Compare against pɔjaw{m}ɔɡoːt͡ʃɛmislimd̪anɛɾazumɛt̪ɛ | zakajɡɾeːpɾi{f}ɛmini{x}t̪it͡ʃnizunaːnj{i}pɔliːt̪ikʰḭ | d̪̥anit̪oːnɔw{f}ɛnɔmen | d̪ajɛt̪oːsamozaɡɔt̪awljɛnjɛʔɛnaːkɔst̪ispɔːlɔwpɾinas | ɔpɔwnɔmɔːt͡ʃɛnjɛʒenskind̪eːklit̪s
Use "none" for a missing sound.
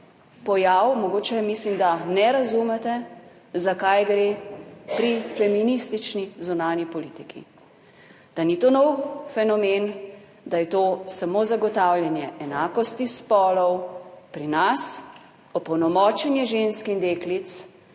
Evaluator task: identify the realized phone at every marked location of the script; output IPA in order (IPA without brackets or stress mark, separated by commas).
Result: m, f, s, i, f